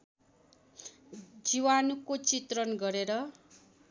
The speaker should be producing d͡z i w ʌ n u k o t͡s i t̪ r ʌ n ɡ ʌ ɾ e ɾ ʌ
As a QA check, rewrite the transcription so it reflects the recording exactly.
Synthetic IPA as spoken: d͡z i w a n u k o t͡s i t̪ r ʌ n ɡ ʌ ɾ e ɾ ʌ